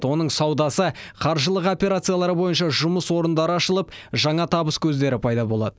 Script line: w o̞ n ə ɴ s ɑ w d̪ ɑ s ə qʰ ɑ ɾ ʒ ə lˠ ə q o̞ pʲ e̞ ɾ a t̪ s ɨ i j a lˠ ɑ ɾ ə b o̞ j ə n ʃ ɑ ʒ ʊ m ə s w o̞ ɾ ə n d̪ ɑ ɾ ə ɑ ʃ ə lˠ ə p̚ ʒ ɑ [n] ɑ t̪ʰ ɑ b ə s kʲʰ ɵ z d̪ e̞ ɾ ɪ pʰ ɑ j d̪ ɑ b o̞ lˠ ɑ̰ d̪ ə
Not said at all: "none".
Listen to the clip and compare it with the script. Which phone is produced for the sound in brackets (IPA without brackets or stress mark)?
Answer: ɴ